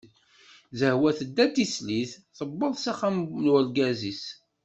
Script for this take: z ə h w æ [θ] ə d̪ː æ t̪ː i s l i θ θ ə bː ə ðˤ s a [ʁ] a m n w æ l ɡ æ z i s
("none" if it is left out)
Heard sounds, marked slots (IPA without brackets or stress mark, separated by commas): θ, χ